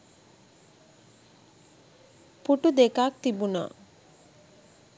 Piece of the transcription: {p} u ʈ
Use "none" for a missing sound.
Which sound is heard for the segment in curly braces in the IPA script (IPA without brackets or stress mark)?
p